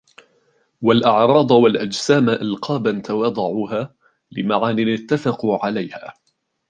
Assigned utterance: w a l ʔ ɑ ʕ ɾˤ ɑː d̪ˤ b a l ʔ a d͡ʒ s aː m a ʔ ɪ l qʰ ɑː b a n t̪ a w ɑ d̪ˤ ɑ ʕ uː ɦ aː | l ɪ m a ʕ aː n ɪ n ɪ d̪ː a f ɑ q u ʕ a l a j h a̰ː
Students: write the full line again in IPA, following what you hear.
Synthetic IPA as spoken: w a l ʔ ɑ ʕ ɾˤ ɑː d̪ˤ w a l ʔ a d͡ʒ s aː m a ʔ ɪ l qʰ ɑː b a n t̪ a w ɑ d̪ˤ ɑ ʕ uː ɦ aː | l ɪ m a ʕ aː n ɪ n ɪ t̪ː a f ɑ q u ʕ a l a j h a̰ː